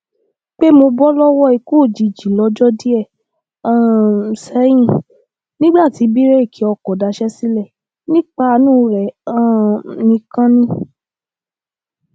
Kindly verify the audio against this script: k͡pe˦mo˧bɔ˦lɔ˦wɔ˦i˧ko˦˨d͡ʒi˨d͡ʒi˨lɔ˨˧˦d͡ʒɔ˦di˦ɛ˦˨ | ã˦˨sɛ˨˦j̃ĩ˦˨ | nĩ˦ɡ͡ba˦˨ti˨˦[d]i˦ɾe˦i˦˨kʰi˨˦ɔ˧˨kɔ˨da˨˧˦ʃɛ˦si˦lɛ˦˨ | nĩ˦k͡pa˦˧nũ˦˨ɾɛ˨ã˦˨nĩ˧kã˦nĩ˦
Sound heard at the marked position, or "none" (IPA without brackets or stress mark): b